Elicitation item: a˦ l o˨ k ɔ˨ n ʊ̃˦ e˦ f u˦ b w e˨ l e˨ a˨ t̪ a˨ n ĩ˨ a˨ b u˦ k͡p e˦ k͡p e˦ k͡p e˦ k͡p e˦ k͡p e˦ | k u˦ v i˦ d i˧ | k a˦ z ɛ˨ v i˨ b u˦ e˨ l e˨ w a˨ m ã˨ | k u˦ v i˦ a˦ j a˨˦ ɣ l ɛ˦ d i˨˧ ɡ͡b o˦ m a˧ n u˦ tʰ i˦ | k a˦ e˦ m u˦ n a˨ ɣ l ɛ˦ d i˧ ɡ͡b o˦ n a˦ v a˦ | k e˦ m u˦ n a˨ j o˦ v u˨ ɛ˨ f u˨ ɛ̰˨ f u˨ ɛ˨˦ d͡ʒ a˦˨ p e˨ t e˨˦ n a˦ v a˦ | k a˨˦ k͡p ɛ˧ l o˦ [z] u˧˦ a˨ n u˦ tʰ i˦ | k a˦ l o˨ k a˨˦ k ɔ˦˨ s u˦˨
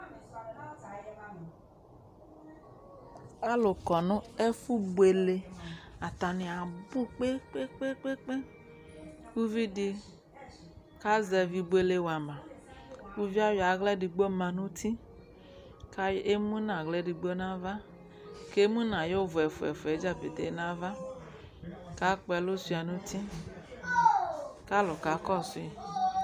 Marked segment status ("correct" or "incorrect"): incorrect